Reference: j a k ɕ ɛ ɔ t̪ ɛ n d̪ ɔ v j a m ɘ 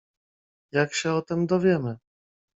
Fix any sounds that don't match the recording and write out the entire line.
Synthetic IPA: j a k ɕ ɛ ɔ t̪ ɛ m d̪ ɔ v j ɛ m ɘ